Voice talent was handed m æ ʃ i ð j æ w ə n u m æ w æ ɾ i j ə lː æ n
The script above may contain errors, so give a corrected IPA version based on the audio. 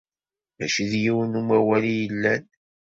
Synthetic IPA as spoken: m æ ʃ i ð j i w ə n u m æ w æ l i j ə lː æ n